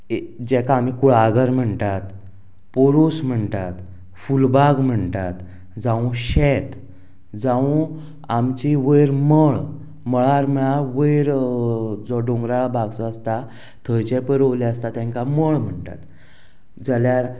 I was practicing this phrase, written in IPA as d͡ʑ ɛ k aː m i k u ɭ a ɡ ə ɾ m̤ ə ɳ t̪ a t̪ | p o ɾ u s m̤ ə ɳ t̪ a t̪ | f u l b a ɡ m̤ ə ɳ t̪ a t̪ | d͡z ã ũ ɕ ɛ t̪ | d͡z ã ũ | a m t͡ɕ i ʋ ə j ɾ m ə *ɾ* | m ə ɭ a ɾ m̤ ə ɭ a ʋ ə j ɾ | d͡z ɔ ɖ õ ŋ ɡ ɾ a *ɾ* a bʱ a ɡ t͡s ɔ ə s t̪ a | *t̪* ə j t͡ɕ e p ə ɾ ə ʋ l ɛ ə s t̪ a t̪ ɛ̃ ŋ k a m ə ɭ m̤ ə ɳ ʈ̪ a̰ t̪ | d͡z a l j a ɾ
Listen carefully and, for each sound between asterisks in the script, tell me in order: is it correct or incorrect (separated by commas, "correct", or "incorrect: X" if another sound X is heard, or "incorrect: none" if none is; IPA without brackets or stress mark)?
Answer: incorrect: ɭ, incorrect: ɭ, incorrect: t̪ʰ